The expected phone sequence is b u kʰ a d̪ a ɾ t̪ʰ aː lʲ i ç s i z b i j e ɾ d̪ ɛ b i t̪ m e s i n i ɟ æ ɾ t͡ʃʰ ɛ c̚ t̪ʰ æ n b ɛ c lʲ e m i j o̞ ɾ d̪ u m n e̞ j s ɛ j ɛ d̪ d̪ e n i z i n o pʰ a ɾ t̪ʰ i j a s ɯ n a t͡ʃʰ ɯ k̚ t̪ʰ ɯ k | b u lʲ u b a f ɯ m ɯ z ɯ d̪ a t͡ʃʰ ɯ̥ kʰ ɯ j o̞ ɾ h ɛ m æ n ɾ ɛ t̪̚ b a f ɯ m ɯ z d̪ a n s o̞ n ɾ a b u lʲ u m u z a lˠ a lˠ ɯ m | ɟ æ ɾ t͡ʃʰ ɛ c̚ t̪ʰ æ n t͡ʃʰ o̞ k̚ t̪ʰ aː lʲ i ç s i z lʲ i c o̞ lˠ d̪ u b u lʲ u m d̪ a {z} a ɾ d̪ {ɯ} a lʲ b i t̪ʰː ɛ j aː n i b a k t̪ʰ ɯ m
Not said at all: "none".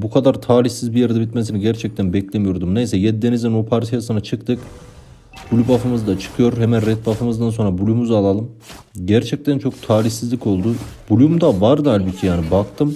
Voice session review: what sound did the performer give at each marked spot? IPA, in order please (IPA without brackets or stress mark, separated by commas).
v, ɯ